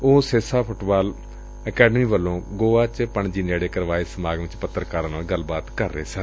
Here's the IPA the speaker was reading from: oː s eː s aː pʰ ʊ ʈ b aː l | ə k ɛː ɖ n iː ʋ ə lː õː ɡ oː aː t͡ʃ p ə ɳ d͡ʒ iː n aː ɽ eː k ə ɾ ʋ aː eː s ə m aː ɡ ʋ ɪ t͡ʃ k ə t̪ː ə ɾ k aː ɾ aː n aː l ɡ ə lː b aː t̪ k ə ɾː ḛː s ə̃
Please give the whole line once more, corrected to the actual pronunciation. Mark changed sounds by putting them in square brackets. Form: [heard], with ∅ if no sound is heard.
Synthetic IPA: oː s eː s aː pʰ ʊ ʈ b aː l | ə k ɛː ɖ [m] iː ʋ ə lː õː ɡ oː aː t͡ʃ p ə ɳ d͡ʒ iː n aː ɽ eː k ə ɾ ʋ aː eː s ə m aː ɡ ʋ ɪ t͡ʃ [p] ə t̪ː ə ɾ k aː ɾ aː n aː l ɡ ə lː b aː t̪ k ə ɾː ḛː s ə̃